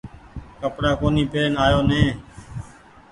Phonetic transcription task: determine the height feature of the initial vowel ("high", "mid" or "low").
mid